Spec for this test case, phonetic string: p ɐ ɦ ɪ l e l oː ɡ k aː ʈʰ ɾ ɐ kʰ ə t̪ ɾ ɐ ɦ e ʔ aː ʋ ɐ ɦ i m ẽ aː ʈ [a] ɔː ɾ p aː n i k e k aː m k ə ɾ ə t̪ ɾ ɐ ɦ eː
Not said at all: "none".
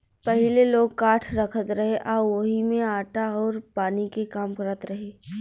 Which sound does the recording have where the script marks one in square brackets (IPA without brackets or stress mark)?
a